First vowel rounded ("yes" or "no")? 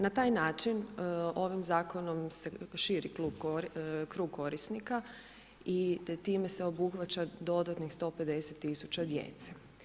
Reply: no